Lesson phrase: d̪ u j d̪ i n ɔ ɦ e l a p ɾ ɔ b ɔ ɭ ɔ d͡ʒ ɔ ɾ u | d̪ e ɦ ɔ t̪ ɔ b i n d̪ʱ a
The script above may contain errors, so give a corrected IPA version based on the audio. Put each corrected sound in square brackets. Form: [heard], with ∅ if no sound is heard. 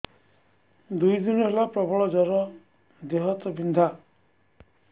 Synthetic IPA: d̪ u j d̪ i n ɔ ɦ e l a p ɾ ɔ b ɔ ɭ ɔ d͡ʒ ɔ ɾ [ɔ] | d̪ e ɦ ɔ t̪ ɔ b i n d̪ʱ a